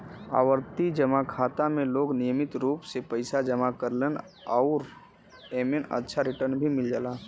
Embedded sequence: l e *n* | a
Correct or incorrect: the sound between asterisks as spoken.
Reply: correct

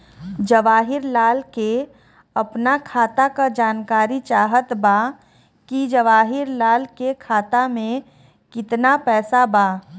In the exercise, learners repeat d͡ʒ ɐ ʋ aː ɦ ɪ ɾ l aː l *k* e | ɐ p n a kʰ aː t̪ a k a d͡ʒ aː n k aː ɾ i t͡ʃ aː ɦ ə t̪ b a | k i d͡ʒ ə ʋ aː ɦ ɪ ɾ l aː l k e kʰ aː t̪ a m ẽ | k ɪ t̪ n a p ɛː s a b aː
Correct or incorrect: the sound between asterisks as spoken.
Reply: correct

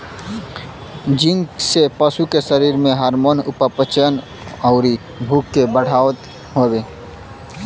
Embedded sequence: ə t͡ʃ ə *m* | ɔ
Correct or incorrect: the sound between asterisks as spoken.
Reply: incorrect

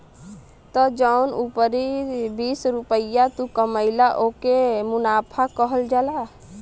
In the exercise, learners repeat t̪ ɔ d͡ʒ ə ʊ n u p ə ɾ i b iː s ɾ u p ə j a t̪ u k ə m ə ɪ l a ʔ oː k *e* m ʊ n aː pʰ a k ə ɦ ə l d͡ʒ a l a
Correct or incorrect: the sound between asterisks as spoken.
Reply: correct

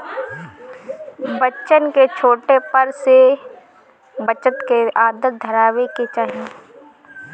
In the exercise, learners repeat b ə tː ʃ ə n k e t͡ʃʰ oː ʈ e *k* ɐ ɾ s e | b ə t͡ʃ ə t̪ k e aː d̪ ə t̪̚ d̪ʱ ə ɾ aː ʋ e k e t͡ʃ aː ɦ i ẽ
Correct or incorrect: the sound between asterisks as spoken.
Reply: incorrect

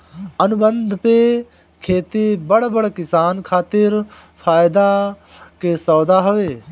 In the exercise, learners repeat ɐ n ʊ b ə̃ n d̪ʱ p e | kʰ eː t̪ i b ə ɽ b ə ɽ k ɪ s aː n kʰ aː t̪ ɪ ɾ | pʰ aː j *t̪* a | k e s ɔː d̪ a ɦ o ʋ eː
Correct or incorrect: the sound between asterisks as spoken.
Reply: incorrect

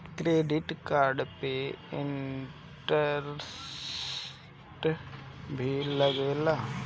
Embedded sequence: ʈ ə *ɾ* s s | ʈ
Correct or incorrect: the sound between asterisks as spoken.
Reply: correct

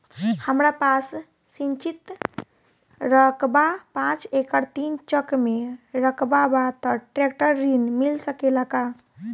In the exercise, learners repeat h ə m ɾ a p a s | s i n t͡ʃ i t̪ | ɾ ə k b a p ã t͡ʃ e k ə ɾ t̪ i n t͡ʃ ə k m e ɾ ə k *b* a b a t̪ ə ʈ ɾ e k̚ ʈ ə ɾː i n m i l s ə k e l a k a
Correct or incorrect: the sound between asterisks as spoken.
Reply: correct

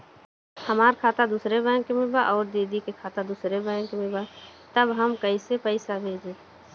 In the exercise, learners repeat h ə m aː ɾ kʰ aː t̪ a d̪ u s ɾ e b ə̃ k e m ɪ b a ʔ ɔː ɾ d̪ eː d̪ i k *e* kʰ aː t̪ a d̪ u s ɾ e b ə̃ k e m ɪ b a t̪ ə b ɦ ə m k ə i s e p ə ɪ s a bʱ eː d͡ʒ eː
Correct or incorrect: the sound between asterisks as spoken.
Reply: correct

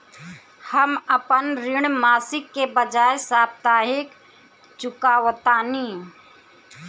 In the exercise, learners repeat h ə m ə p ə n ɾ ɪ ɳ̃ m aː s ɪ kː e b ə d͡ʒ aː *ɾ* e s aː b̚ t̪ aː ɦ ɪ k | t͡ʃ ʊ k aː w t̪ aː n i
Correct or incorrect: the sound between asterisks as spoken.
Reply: incorrect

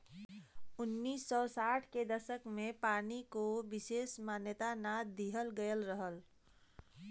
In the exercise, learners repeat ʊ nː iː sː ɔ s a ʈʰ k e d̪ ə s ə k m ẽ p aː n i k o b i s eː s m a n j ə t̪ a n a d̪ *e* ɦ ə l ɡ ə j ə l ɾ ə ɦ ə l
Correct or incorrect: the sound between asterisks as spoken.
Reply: incorrect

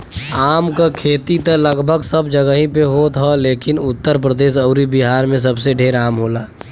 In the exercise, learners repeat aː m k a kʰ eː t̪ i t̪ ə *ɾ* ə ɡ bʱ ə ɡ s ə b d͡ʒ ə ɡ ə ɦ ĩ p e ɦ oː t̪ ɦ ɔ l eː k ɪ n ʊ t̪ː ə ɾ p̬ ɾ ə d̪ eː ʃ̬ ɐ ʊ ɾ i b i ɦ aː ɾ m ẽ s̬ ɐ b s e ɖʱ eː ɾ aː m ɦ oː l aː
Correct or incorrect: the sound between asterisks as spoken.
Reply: incorrect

